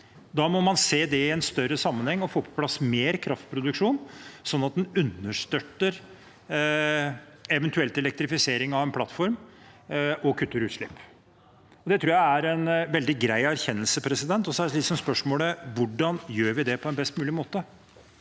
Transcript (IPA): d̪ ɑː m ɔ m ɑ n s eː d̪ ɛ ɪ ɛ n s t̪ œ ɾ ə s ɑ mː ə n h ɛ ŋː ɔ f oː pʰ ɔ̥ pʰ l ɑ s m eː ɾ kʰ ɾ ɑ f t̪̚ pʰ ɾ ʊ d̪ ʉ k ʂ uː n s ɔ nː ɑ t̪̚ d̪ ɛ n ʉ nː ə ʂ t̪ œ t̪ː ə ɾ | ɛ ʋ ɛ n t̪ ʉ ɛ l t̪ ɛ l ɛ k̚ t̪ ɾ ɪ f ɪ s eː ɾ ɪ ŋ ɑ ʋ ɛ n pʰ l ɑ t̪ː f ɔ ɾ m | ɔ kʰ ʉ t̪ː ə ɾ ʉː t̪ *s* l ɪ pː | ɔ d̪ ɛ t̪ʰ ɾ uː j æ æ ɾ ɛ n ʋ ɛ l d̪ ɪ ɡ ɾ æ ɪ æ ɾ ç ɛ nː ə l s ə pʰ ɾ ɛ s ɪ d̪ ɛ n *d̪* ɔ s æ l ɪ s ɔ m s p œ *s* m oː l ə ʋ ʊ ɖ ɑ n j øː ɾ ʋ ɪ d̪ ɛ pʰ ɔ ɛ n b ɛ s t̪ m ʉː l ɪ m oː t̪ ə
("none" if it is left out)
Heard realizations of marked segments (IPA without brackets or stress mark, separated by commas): ʂ, t̪, ʂ